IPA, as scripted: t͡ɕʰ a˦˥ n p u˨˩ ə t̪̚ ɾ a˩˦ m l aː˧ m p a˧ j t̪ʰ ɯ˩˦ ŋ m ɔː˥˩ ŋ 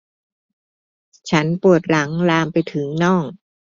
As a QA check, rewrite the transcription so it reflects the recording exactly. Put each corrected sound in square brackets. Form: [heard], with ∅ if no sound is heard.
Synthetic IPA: t͡ɕʰ a˦˥ n p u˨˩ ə t̪̚ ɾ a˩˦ [ŋ] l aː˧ m p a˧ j t̪ʰ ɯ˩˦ ŋ [n] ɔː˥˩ ŋ